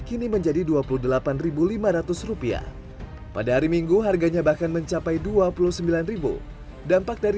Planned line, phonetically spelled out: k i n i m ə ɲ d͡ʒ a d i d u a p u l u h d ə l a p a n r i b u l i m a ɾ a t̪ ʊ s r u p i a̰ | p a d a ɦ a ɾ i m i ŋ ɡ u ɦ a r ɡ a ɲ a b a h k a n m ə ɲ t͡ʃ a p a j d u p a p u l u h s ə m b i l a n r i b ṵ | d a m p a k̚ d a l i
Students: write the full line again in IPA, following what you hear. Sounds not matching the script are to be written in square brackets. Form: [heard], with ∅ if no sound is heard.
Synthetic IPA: k i n i m ə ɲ d͡ʒ a d i d u a p u l u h d ə l a p a n r i b u l i m a ɾ a t̪ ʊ s r u p i a̰ | p a d a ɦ a ɾ i m i ŋ ɡ u ɦ a r ɡ a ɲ a b a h k a n m ə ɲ t͡ʃ a p a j d u [∅] a p u l u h s ə m b i l a n r i b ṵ | d a m p a k̚ d a [ɾ] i